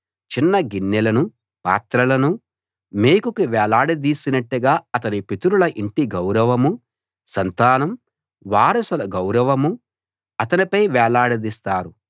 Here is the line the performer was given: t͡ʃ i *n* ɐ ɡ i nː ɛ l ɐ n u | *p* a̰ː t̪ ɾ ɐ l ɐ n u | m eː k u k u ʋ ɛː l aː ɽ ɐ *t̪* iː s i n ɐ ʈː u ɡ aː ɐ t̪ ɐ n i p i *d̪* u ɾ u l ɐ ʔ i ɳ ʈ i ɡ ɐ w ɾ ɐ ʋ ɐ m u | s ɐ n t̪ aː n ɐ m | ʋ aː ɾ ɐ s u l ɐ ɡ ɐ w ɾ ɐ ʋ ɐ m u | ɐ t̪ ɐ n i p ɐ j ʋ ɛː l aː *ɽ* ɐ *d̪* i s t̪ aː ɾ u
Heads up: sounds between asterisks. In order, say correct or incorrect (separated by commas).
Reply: incorrect, correct, incorrect, incorrect, correct, correct